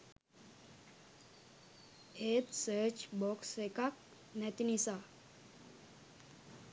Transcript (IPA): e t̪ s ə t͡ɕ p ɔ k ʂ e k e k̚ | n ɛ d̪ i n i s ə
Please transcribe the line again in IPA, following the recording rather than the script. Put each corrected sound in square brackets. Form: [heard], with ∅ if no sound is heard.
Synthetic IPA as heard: e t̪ s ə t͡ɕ [b] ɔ k [s] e k [a] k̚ | n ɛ [t̪] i n i s [a]

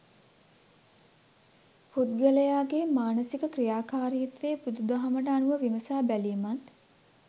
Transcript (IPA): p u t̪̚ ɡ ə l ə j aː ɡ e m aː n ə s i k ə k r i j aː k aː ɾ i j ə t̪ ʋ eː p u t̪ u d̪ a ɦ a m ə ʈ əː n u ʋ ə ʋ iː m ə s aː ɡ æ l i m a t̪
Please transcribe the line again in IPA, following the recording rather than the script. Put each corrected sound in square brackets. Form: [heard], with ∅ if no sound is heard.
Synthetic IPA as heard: p u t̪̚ ɡ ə l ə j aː ɡ e m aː n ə s i k ə k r i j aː k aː ɾ i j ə t̪ ʋ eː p u [d̪] u d̪ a ɦ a m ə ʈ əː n u ʋ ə ʋ [i] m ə s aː [b] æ l i m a t̪

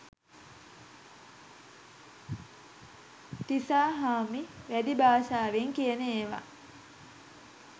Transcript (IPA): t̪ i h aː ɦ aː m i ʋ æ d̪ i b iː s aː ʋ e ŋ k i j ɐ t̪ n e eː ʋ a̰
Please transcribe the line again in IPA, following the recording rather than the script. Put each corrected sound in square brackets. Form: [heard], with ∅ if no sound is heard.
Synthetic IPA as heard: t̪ i [s] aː ɦ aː m i ʋ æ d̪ i b [aː] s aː ʋ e ŋ k i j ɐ [∅] n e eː ʋ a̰

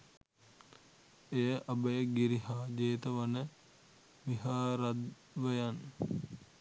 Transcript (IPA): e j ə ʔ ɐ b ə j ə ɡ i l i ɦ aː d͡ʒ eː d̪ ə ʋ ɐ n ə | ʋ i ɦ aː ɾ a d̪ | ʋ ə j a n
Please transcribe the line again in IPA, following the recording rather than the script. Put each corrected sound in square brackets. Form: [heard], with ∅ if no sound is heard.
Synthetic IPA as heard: e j ə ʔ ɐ b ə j ə ɡ i [ɾ] i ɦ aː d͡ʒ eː [t̪] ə ʋ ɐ n ə | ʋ i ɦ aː ɾ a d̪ | ʋ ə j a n

